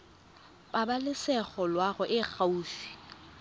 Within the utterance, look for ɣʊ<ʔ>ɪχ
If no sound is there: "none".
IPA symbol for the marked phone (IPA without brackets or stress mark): ʔ